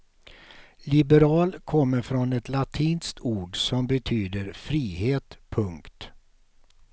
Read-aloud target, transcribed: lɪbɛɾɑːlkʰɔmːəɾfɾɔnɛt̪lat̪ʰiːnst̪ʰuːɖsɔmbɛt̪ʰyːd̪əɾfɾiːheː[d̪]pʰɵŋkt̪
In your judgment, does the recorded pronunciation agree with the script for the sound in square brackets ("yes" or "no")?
no